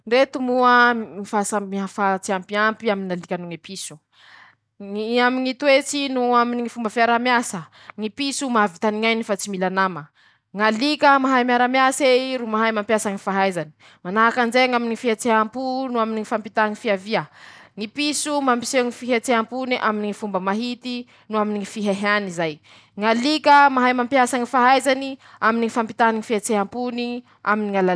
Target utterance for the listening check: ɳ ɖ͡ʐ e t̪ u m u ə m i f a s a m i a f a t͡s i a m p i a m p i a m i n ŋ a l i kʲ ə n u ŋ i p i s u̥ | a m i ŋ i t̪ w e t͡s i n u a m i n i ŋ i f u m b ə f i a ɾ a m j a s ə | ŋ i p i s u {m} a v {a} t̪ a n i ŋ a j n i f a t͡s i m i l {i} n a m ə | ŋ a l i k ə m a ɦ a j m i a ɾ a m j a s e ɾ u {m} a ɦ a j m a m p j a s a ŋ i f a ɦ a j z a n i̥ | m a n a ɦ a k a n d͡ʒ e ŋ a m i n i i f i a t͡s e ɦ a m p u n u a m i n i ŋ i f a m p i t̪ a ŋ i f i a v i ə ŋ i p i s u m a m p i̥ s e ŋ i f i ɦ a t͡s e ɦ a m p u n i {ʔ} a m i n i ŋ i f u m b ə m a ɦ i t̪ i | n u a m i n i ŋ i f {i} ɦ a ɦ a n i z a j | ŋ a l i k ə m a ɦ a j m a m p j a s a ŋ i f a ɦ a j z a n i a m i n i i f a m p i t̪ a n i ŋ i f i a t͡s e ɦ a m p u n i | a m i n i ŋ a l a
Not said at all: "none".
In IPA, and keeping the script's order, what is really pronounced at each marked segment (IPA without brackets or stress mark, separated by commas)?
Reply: m, i, a, m, ʔ, i